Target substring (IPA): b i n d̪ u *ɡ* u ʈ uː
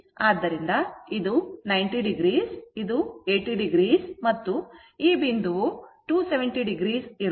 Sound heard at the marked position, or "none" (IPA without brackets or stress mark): none